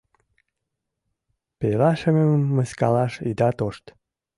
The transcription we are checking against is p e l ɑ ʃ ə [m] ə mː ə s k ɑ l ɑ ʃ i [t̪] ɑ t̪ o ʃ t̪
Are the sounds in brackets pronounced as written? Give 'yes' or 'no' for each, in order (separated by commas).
yes, no